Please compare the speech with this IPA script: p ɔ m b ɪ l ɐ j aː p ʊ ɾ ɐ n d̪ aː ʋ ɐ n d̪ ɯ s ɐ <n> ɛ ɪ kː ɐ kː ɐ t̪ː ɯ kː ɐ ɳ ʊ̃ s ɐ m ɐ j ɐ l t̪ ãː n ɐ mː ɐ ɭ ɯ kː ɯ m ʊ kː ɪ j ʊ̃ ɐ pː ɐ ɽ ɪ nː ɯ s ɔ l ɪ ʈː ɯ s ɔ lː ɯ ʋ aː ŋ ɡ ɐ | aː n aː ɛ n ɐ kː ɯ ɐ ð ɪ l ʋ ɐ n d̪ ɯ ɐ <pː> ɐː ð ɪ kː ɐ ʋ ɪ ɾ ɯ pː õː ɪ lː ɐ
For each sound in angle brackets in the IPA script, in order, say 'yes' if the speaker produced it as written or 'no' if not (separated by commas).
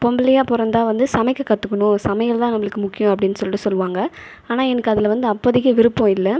no, yes